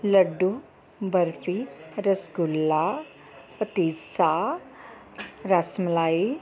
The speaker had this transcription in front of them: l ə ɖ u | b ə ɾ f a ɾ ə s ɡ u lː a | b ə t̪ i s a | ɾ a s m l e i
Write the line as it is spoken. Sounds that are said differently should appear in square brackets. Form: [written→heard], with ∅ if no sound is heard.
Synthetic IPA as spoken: l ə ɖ u | b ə ɾ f [a→i] ɾ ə s ɡ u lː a | [b→p] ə t̪ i s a | ɾ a s m l [e→a] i